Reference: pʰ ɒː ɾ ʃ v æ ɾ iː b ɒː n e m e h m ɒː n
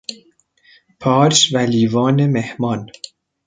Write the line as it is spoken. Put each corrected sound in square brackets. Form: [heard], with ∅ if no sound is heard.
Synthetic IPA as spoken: pʰ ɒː ɾ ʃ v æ [l] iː [v] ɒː n e m e h m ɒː n